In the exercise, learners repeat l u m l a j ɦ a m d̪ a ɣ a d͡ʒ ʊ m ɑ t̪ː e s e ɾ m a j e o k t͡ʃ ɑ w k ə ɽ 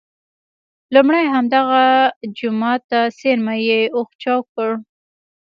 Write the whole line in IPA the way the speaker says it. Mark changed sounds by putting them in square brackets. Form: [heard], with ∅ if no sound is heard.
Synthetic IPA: l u m [ɽ] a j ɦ a m d̪ a ɣ a d͡ʒ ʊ m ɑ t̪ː [a] s e ɾ m a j e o [x] t͡ʃ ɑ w k ə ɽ

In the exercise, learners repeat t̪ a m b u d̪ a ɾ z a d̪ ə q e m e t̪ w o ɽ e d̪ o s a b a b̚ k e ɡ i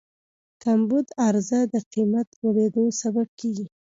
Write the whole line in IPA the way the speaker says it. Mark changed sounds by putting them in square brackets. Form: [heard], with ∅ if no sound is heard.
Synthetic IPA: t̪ a m b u d̪ a ɾ z a d̪ ə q [i] m [a] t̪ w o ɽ e d̪ o s a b a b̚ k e ɡ i

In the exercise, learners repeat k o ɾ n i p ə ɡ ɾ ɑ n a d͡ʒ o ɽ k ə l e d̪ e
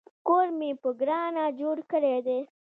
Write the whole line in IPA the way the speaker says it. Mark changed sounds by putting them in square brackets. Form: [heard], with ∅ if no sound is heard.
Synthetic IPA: k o ɾ [m] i p ə ɡ ɾ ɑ n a d͡ʒ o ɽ k ə [ɽ] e d̪ e

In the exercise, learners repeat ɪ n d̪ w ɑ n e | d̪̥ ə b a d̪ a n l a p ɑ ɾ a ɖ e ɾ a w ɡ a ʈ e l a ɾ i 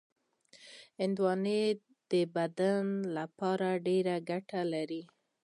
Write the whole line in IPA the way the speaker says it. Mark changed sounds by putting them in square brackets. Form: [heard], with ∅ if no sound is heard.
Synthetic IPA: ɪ n d̪ w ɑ n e | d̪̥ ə b a d̪ a n l a p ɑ ɾ a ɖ e ɾ a [∅] ɡ a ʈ [a] l a ɾ i

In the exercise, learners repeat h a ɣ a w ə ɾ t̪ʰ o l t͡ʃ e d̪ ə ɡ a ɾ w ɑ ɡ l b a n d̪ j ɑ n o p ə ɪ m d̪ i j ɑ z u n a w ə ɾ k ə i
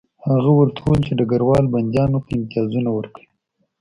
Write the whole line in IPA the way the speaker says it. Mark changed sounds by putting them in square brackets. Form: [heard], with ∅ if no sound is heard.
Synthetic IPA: h a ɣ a w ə ɾ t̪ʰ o l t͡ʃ e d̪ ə ɡ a ɾ w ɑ [∅] l b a n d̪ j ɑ n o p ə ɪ m [t̪] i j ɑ z u n a w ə ɾ k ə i

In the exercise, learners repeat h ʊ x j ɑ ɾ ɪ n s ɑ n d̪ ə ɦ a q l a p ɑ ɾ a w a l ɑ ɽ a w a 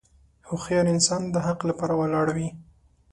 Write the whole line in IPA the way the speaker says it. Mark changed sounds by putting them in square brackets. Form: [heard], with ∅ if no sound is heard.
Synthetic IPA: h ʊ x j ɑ ɾ ɪ n s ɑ n d̪ ə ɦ a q l a p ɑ ɾ a w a l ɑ ɽ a w [i]

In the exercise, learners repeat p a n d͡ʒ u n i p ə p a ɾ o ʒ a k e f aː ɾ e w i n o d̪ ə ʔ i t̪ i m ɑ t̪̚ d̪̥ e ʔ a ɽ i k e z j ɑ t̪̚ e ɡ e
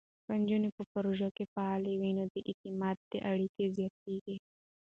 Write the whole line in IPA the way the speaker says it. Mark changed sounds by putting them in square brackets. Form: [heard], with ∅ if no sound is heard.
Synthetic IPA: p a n d͡ʒ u n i p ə p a ɾ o ʒ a k e f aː [l] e w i n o d̪ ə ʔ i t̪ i m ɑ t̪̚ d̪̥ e ʔ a ɽ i k e z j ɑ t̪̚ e ɡ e

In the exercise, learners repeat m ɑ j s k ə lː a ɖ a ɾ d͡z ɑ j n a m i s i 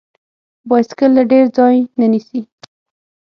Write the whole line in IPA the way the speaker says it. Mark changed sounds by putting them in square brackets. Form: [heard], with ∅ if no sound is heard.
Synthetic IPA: [b] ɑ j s k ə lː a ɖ [e] ɾ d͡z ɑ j n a [n] i s i

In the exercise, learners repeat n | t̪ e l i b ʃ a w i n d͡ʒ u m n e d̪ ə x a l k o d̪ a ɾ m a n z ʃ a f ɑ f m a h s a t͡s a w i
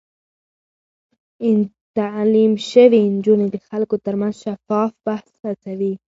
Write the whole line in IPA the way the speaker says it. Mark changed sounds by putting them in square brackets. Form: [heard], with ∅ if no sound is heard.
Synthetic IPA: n | t̪ [a] l i [m] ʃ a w i n d͡ʒ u [∅] n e d̪ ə x a l k o [t̪] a ɾ m a n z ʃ a f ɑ f [b] a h s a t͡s a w i

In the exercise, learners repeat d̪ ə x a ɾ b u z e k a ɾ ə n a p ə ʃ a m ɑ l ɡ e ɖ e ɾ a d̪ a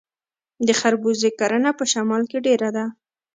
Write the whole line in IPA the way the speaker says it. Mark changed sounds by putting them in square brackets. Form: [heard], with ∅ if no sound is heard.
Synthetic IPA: d̪ ə x a ɾ b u z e k a ɾ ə n a p ə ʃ a m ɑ l [k] e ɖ e ɾ a d̪ a

